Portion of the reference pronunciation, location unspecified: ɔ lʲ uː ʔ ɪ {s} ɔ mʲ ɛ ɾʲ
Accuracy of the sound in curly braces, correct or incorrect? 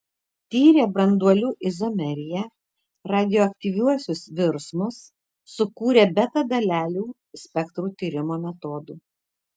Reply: incorrect